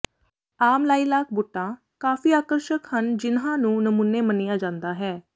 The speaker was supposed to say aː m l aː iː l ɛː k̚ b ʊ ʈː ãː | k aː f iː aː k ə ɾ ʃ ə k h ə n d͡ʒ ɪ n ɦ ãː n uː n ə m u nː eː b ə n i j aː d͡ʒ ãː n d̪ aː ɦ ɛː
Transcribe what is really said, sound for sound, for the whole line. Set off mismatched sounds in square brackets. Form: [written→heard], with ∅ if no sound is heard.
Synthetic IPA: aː m l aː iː l [ɛː→aː] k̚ b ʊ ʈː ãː | k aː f iː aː k ə ɾ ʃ ə k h ə n d͡ʒ ɪ n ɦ ãː n [uː→ũː] n ə m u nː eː [b→m] ə n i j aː d͡ʒ ãː n d̪ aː ɦ ɛː